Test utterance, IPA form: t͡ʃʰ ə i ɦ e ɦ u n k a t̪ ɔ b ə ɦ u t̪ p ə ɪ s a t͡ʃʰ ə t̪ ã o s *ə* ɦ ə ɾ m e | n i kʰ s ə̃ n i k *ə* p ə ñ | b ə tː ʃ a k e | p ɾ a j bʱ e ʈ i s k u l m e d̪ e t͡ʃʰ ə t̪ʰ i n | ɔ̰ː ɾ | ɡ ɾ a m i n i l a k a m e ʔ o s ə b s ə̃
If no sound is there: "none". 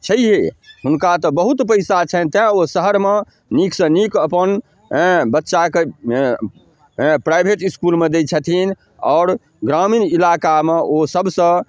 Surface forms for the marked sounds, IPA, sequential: ə, ə

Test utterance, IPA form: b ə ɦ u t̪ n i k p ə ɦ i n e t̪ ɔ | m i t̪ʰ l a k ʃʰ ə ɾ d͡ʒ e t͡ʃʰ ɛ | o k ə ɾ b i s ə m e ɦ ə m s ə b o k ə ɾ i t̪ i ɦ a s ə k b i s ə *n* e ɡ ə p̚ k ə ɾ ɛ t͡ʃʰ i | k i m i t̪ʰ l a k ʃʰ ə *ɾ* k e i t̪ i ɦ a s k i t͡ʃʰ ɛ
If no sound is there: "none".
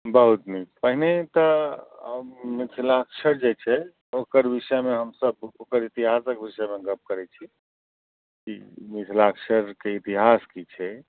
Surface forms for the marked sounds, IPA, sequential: m, ɾ

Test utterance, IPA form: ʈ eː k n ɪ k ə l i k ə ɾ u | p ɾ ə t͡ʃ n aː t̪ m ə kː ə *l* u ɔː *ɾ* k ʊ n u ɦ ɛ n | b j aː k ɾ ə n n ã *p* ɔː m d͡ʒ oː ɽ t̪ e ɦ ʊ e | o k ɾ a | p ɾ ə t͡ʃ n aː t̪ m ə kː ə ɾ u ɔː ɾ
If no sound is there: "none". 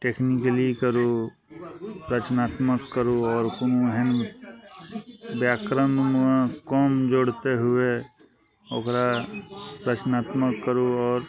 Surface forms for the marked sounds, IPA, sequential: ɾ, ɾ, k

